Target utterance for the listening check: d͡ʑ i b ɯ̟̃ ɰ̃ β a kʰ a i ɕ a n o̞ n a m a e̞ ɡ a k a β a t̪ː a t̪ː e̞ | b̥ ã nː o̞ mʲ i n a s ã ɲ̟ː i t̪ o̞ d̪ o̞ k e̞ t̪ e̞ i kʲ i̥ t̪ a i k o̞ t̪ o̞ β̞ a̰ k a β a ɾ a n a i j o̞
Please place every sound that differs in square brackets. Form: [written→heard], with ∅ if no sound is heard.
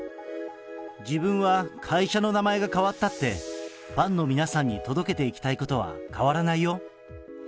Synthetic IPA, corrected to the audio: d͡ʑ i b ɯ̟̃ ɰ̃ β a kʰ a i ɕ a n o̞ n a m a e̞ ɡ a k a β a t̪ː a t̪ː e̞ | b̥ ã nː o̞ mʲ i n a s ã ɲ̟ː i t̪ o̞ d̪ o̞ k e̞ t̪ e̞ i kʲ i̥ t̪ a i k o̞ t̪ o̞ β̞ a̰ k a β a ɾ a n a i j o̞